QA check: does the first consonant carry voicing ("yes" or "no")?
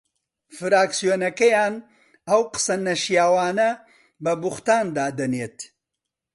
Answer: no